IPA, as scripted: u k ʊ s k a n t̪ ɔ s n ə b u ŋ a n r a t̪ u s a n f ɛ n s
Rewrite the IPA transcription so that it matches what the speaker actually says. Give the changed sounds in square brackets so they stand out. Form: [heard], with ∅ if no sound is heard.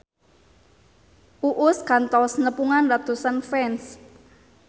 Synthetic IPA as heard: u [ʔ] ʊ s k a n t̪ ɔ s n ə [p] u ŋ a n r a t̪ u s a n f ɛ n s